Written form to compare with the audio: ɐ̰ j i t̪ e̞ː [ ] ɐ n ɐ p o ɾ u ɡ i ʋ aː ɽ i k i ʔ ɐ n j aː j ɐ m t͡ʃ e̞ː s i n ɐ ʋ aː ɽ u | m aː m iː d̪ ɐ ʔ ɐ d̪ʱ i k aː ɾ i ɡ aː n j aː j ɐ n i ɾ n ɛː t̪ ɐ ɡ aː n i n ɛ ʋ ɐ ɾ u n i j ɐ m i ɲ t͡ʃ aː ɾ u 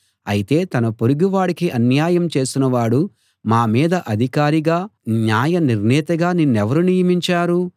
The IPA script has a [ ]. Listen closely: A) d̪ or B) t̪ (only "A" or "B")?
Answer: B